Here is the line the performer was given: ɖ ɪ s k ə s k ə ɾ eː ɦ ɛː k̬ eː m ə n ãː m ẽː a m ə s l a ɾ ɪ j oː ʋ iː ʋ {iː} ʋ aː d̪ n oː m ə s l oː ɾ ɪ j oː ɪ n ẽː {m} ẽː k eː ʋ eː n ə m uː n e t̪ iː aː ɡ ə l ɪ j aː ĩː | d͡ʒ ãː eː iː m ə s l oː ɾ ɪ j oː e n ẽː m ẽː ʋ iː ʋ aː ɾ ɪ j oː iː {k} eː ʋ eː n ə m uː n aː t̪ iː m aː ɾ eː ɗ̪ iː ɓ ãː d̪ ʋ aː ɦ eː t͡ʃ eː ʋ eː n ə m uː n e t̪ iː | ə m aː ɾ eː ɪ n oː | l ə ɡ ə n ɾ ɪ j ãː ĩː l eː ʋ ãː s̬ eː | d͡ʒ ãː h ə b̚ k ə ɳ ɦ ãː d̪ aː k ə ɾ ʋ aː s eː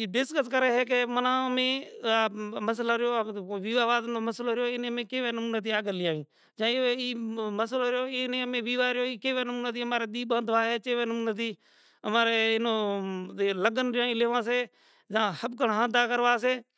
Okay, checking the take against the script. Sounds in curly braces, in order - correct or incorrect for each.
incorrect, correct, correct

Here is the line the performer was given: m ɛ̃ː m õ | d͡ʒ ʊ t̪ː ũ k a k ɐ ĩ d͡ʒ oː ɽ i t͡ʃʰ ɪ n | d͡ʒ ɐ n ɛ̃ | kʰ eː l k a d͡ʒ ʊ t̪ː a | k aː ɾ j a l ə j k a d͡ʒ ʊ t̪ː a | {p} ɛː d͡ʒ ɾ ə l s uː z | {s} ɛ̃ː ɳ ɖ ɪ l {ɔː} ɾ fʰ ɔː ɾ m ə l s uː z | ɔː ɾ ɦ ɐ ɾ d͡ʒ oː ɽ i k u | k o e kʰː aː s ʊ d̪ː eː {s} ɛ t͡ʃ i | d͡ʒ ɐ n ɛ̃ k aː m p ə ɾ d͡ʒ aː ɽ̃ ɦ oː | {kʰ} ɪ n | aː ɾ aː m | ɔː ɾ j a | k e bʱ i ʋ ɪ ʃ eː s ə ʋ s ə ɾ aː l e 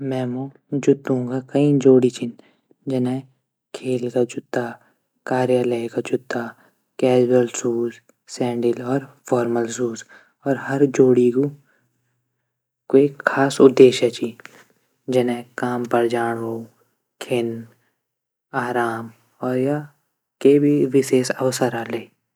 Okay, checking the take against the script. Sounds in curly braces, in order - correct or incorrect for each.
incorrect, correct, correct, incorrect, correct

